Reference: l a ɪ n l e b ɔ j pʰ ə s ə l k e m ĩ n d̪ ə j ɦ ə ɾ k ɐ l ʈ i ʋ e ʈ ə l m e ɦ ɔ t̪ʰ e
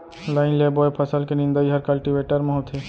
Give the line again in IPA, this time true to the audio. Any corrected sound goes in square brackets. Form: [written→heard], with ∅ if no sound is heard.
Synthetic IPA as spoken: l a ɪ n l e b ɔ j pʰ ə s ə l k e [m→n] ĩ n d̪ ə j ɦ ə ɾ k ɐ l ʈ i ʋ e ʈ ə [l→ɾ] m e ɦ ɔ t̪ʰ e